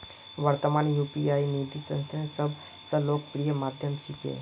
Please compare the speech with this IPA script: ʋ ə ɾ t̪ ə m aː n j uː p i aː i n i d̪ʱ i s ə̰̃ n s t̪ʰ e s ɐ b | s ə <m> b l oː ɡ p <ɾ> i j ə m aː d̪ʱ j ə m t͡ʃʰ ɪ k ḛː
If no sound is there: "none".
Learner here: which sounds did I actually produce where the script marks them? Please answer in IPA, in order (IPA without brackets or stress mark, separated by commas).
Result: none, ɾ